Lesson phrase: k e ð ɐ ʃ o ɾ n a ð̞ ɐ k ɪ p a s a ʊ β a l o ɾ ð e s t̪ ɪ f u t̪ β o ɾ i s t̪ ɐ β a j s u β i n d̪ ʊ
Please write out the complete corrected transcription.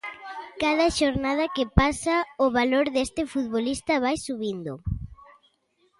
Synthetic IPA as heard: k a ð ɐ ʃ o ɾ n a ð̞ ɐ k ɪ p a s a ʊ β a l o ɾ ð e s t̪ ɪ f u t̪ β o l i s t̪ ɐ β a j s u β i n d̪ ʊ